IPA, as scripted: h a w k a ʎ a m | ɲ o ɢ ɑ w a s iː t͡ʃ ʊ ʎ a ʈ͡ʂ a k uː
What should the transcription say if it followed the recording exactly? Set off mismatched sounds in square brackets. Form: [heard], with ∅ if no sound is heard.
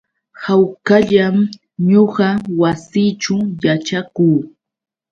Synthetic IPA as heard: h a w k a ʎ a m | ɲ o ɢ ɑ w a s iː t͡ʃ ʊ [j] a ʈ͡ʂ a k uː

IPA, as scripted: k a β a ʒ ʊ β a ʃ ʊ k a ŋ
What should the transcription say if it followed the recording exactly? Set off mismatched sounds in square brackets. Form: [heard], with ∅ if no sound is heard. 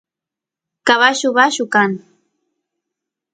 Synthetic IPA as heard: k a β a [ʃ] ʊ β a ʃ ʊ k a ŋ

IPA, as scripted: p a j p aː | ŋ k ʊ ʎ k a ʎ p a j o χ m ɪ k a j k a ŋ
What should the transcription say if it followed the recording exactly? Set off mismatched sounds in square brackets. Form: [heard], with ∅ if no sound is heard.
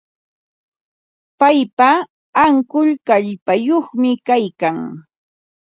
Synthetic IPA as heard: p a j p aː | ŋ k ʊ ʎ k a ʎ p a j o χ m ɪ k a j k a ŋ

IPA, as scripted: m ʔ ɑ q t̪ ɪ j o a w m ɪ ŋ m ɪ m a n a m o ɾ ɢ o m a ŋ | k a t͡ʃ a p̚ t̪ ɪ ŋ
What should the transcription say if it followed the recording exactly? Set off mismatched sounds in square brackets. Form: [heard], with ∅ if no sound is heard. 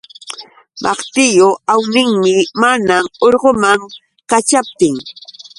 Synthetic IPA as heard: m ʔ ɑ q t̪ ɪ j o a w [n] ɪ ŋ m ɪ m a n a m o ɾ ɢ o m a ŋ | k a t͡ʃ a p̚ t̪ ɪ ŋ

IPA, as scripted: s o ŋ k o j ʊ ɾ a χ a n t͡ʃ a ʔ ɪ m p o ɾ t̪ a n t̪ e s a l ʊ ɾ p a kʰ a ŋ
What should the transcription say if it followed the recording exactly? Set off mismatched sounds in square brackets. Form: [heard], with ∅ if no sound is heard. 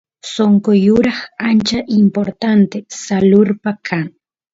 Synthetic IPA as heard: s o ŋ k o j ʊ ɾ a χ a n t͡ʃ a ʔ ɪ m p o ɾ t̪ a n t̪ e s a l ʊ ɾ p a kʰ a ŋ

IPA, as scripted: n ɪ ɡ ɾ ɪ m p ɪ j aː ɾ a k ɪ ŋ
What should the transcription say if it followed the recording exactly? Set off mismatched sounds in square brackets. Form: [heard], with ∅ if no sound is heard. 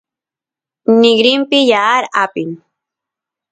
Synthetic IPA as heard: n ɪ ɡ ɾ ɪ m p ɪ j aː ɾ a [p] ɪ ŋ

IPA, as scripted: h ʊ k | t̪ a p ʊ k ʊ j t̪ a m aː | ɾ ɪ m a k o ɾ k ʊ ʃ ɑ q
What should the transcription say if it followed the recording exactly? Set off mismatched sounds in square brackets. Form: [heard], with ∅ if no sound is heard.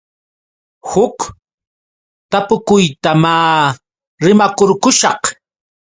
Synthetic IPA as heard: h ʊ k | t̪ a p ʊ k ʊ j t̪ a m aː | ɾ ɪ m a k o ɾ k ʊ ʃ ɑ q

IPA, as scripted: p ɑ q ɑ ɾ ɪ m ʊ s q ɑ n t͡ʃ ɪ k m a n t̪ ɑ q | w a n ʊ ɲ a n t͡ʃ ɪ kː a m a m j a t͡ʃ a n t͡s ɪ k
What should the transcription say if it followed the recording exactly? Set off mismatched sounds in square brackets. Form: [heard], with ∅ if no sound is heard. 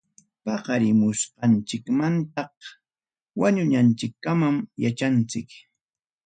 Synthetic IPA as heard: p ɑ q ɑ ɾ ɪ m ʊ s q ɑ n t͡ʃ ɪ k m a n t̪ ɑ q | w a [ɲ] ʊ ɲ a n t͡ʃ ɪ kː a m a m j a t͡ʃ a n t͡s ɪ k

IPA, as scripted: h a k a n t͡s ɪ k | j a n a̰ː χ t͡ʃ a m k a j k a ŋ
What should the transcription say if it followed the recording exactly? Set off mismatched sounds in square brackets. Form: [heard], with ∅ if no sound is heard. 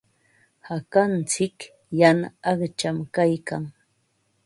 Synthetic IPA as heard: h a k a n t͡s ɪ k | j a n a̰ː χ t͡ʃ a m k a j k a ŋ

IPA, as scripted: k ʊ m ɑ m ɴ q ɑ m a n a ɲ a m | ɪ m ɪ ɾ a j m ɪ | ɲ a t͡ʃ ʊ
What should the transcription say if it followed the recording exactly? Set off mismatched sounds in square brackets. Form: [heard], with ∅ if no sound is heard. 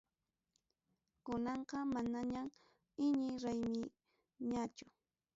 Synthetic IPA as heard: k ʊ [n] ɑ [∅] ɴ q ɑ m a n a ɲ a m | ɪ [ɲ] ɪ ɾ a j m ɪ | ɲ a t͡ʃ ʊ

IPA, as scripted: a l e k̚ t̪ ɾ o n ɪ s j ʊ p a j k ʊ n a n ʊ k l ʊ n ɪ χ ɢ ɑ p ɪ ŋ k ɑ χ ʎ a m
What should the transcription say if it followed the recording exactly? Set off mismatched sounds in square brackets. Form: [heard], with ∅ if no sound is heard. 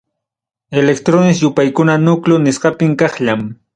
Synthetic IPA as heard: [e] l e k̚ t̪ ɾ o n ɪ s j ʊ p a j k ʊ n a n ʊ k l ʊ n ɪ [s] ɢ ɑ p ɪ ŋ k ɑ χ ʎ a m

